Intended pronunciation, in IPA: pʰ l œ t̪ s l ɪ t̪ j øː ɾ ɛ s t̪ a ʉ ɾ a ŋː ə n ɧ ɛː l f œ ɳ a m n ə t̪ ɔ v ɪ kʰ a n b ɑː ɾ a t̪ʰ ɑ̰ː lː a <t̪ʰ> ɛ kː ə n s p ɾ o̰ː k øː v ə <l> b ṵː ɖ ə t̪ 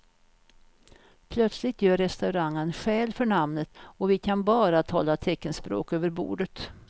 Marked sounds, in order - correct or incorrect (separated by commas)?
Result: correct, incorrect